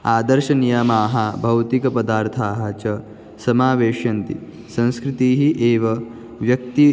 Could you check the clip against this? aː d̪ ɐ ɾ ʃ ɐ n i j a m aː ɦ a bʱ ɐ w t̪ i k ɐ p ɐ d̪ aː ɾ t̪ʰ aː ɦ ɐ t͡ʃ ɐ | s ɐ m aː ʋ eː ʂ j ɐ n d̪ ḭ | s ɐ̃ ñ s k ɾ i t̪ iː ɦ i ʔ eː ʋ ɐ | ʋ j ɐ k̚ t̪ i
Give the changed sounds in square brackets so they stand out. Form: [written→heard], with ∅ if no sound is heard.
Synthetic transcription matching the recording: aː d̪ ɐ ɾ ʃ ɐ n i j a m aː ɦ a bʱ ɐ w t̪ i k ɐ p ɐ d̪ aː ɾ t̪ʰ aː ɦ ɐ t͡ʃ ɐ | s ɐ m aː ʋ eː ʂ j ɐ n [d̪→t̪] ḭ | s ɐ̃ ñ s k ɾ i t̪ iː ɦ i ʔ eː ʋ ɐ | ʋ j ɐ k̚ t̪ i